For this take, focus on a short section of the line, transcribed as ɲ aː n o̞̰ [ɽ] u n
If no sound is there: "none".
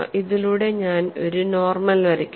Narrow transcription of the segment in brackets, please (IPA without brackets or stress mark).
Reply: ɾ